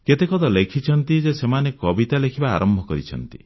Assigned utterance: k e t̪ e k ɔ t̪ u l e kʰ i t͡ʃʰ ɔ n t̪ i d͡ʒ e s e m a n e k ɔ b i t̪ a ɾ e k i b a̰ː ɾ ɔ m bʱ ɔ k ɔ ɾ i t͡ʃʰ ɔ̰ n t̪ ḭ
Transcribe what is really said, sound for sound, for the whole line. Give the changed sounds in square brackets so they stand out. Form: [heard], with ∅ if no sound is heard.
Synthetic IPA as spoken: k e t̪ e k ɔ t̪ [ɔ] l e kʰ i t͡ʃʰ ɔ n t̪ i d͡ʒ e s e m a n e k ɔ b i t̪ a [l] e [kʰ] i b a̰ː ɾ ɔ m bʱ ɔ k ɔ ɾ i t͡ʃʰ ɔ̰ n t̪ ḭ

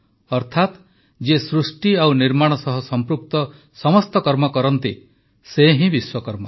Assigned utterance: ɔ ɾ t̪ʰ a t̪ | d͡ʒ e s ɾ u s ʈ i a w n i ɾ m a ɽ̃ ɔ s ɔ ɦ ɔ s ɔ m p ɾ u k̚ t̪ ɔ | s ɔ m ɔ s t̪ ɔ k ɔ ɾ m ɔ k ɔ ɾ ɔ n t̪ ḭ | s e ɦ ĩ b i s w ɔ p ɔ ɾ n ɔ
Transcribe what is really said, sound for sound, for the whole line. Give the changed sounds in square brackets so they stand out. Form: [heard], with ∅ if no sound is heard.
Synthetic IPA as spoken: ɔ ɾ t̪ʰ a t̪ | d͡ʒ e s ɾ u s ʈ i a w n i ɾ m a ɽ̃ ɔ s ɔ ɦ ɔ s ɔ m p ɾ u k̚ t̪ ɔ | s ɔ m ɔ s t̪ ɔ k ɔ ɾ m ɔ k ɔ ɾ ɔ n t̪ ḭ | s e ɦ ĩ b i s w ɔ [k] ɔ ɾ [m] ɔ

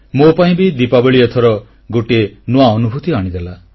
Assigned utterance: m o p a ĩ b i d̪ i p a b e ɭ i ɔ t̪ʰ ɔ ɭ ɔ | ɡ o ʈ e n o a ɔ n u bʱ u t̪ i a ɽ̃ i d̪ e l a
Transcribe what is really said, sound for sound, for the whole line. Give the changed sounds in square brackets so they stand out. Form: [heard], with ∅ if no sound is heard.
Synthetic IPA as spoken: m o p a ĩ b i d̪ i p a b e ɭ i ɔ t̪ʰ ɔ [ɾ] ɔ | ɡ o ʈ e n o a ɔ n u bʱ u t̪ i a ɽ̃ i d̪ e l a

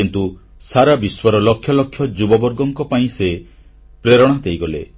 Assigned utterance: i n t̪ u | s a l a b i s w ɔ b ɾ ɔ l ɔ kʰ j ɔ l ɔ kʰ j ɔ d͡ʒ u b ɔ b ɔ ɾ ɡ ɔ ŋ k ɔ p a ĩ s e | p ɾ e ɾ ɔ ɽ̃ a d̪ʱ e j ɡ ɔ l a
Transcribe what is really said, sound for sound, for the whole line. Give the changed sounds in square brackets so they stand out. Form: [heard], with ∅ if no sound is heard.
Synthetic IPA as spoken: i n t̪ u | s a [ɾ] a b i s w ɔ [∅] ɾ ɔ l ɔ kʰ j ɔ l ɔ kʰ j ɔ d͡ʒ u b ɔ b ɔ ɾ ɡ ɔ ŋ k ɔ p a ĩ s e | p ɾ e ɾ ɔ ɽ̃ a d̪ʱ e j ɡ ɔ l [e]

